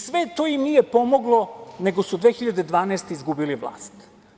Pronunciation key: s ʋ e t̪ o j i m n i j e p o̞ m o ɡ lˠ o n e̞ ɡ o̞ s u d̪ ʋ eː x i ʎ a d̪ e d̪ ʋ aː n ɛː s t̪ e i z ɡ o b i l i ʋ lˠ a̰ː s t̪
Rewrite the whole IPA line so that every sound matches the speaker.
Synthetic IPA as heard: s ʋ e t̪ o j i m n i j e p o̞ m o ɡ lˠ o n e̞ ɡ o̞ s u d̪ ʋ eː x i ʎ a d̪ e d̪ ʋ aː n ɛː s t̪ e i z ɡ u b i l i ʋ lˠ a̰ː s t̪